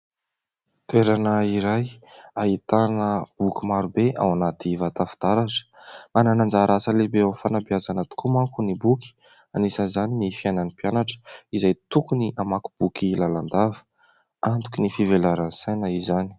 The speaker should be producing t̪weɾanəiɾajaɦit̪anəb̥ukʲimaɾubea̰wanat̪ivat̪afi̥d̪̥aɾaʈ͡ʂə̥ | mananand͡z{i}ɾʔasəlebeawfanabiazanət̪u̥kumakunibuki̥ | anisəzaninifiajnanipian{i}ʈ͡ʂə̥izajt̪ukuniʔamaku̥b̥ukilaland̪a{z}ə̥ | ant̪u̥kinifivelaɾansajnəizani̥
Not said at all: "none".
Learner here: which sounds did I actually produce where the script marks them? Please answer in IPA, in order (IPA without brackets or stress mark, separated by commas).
a, a, v